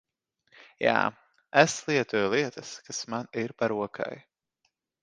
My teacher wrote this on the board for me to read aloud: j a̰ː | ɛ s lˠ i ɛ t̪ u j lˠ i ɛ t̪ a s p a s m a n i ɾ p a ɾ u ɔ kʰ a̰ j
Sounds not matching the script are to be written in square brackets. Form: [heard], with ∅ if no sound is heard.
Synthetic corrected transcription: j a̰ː | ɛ s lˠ i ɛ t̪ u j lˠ i ɛ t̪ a s [k] a s m a n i ɾ p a ɾ u ɔ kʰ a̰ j